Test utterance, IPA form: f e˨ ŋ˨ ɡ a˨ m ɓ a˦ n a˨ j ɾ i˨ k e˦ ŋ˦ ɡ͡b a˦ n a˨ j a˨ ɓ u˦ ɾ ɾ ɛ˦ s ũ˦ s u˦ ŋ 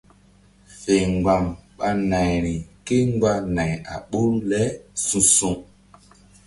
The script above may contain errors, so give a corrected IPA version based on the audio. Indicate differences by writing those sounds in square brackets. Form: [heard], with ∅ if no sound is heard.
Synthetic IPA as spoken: f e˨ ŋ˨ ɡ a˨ m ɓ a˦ n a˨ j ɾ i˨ k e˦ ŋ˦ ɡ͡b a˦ n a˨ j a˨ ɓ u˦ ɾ [l] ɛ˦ s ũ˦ s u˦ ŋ